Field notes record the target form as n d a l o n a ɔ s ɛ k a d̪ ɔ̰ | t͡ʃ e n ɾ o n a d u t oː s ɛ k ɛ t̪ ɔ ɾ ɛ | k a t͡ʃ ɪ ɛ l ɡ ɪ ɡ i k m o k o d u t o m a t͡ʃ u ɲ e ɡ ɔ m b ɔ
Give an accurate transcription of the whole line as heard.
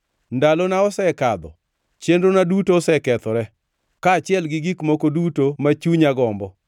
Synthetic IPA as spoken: n d a l o n a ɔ s ɛ k a d̪ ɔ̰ | t͡ʃ e n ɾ o n a d u t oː s ɛ k ɛ t̪ ɔ ɾ ɛ | k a t͡ʃ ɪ ɛ l ɡ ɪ ɡ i k m o k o d u t o m a t͡ʃ u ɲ a ɡ ɔ m b ɔ

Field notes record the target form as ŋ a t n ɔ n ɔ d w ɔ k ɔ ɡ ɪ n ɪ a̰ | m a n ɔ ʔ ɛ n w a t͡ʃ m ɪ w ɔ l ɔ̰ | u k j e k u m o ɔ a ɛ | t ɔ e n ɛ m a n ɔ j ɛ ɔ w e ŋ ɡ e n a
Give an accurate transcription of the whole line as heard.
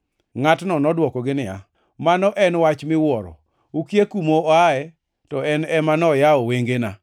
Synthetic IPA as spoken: ŋ a t n ɔ n ɔ d w ɔ k ɔ ɡ ɪ n ɪ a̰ | m a n ɔ ʔ ɛ n w a t͡ʃ m ɪ w ɔ ɾ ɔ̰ | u k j e k u m o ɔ a ɛ | t ɔ ɛ n ɛ m a n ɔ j a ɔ w e ŋ ɡ e n a

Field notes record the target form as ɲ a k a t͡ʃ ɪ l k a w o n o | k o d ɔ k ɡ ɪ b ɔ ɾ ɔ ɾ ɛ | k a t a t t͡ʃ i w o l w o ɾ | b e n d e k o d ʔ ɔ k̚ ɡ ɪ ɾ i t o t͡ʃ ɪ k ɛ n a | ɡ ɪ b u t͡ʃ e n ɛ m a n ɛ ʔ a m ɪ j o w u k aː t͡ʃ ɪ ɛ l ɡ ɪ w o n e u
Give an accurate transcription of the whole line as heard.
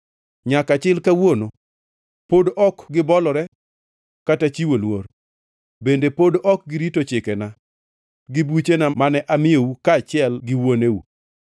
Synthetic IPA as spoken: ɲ a k a t͡ʃ ɪ l k a w o n o | p o d ɔ k ɡ ɪ b ɔ l ɔ ɾ ɛ | k a t a t͡ʃ i w o l w o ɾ | b e n d e p o d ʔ ɔ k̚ ɡ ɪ ɾ i t o t͡ʃ ɪ k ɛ n a | ɡ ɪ b u t͡ʃ e n a m a n ɛ ʔ a m ɪ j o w u k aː t͡ʃ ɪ ɛ l ɡ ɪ w o n e u

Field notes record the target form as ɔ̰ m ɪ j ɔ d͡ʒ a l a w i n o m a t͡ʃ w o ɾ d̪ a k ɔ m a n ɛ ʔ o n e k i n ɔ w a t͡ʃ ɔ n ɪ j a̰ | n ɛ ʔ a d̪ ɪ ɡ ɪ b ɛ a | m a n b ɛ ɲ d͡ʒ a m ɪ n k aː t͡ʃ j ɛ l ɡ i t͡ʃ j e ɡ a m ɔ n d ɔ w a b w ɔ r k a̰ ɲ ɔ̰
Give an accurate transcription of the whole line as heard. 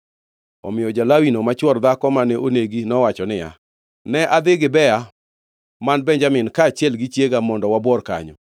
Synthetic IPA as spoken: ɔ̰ m ɪ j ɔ d͡ʒ a l a w i n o m a t͡ʃ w ɔ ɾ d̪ a k ɔ m a n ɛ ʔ o n e ɡ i n ɔ w a t͡ʃ ɔ n ɪ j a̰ | n ɛ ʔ a d̪ ɪ ɡ ɪ b ɛ a | m a n b ɛ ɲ d͡ʒ a m ɪ n k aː t͡ʃ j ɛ l ɡ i t͡ʃ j e ɡ a m ɔ n d ɔ w a b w ɔ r k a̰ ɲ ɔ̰

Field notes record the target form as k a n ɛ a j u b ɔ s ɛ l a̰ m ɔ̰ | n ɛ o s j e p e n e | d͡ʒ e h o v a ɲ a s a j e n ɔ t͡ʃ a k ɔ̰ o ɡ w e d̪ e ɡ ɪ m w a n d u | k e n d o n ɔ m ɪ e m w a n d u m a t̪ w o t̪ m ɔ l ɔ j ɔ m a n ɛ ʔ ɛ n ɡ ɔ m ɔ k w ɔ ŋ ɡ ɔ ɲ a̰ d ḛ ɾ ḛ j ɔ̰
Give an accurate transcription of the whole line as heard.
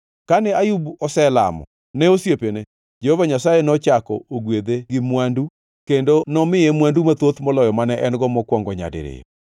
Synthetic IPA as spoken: k a n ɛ a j u b ɔ s ɛ l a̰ m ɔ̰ | n ɛ o s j e p e n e | d͡ʒ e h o v a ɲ a s a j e n ɔ t͡ʃ a k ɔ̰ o ɡ w e d̪ e ɡ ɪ m w a n d u | k e n d o n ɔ m ɪ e m w a n d u m a t̪ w o t̪ m ɔ l ɔ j ɔ m a n ɛ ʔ ɛ n ɡ ɔ m ɔ k w ɔ ŋ ɡ ɔ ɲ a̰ d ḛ ɾ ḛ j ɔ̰

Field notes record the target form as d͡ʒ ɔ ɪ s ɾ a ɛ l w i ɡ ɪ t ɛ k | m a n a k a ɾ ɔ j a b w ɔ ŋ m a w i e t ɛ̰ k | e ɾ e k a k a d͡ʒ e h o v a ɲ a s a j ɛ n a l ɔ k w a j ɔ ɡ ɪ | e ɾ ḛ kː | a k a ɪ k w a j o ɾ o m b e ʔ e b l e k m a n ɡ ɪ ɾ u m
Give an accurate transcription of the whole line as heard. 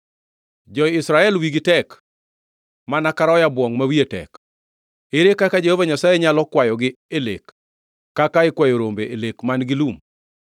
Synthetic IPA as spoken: d͡ʒ ɔ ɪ s ɾ a ɛ l w i ɡ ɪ t ɛ k | m a n a k a ɾ ɔ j a b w ɔ ŋ m a w i e t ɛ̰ k | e ɾ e k a k a d͡ʒ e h o v a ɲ a s a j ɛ ɲ a l ɔ k w a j ɔ ɡ ɪ | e l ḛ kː | a k a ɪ k w a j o ɾ o m b e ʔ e l e k m a n ɡ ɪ l u m

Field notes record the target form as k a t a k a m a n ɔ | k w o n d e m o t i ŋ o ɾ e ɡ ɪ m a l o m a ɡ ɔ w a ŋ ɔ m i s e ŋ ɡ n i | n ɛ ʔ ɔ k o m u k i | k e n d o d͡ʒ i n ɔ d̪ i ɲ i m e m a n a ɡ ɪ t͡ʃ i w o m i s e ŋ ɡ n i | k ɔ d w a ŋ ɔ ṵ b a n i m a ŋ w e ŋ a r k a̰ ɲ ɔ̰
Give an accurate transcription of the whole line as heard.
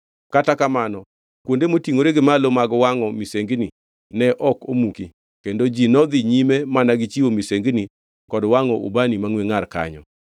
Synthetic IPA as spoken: k a t a k a m a n ɔ | k w o n d e m o t i ŋ o ɾ e ɡ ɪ m a l o m a ɡ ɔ w a ŋ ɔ m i s e ŋ ɡ n i | n ɛ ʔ ɔ k o m u k i | k e n d o d͡ʒ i n ɔ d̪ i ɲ i m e m a n a ɡ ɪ t͡ʃ i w o m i s e ŋ ɡ n i | k ɔ d w a ŋ ɔ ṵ b a n i m a ŋ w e ŋ a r k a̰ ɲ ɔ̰

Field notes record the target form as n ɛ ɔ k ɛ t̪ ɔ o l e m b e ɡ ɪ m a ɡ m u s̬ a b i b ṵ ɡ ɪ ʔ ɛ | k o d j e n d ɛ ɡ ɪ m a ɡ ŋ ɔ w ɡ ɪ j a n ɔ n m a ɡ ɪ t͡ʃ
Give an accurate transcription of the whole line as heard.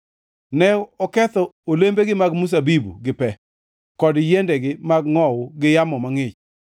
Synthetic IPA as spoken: n ɛ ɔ k ɛ t̪ ɔ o l e m b e ɡ ɪ m a ɡ m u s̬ a b i b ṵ ɡ ɪ p ɛ | k ɔ d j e n d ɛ ɡ ɪ m a ɡ ŋ ɔ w ɡ ɪ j a m ɔ m a ŋ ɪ t͡ʃ

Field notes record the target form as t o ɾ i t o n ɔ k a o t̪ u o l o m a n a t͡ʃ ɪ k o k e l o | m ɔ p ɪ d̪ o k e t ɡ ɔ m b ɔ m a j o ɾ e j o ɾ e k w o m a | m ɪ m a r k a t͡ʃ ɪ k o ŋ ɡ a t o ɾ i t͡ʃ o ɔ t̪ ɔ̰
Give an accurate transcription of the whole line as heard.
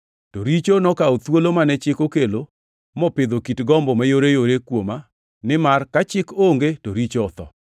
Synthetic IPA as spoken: t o ɾ i t͡ʃ o n ɔ k a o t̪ w o l o m a n ɛ t͡ʃ ɪ k o k e l o | m ɔ p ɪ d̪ o k i t ɡ ɔ m b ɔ m a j o ɾ e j o ɾ e k w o m a | n ɪ m a r k a t͡ʃ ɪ k o ŋ ɡ e t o ɾ i t͡ʃ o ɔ t̪ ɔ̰

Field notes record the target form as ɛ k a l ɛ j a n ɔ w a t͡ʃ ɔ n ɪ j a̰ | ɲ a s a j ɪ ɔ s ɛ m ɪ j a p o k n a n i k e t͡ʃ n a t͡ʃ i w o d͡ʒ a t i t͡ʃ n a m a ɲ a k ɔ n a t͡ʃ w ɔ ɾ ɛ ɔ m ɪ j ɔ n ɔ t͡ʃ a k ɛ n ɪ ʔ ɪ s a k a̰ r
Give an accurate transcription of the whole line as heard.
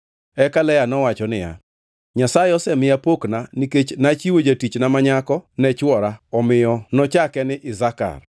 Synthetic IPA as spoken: ɛ k a l ɛ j a n ɔ w a t͡ʃ ɔ n ɪ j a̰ | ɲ a s a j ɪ ɔ s ɛ m ɪ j a p o k n a n i k e t͡ʃ n a t͡ʃ i w o d͡ʒ a t i t͡ʃ n a m a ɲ a k ɔ n ɛ t͡ʃ w ɔ ɾ a ɔ m ɪ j ɔ n ɔ t͡ʃ a k ɛ n ɪ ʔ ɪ z a k a̰ r

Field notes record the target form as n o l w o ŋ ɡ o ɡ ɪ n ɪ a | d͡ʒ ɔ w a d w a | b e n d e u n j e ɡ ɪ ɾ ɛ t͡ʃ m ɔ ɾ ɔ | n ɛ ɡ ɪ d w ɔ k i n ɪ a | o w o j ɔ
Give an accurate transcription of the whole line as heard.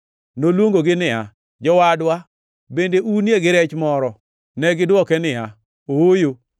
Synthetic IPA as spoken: n o l w o ŋ ɡ o ɡ ɪ n ɪ a | d͡ʒ ɔ w a d w a | b e n d e u n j e ɡ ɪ ɾ ɛ t͡ʃ m ɔ ɾ ɔ | n ɛ ɡ ɪ d w ɔ k ɛ n ɪ a | o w o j o

